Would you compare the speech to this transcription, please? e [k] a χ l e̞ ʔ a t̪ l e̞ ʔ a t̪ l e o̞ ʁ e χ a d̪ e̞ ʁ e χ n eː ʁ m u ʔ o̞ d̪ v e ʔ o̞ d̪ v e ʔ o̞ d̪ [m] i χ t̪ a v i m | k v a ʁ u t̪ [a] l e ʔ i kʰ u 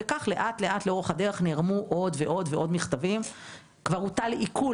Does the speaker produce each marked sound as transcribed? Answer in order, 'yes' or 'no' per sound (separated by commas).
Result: yes, yes, yes